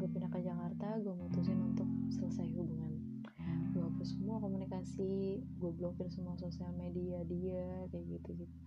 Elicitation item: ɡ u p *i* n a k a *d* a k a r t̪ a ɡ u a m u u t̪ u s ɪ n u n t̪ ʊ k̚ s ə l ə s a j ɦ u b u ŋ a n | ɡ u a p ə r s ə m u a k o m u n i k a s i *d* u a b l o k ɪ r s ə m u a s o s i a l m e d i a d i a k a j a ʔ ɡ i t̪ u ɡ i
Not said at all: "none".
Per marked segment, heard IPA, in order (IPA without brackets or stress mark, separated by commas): i, d͡ʒ, ɡ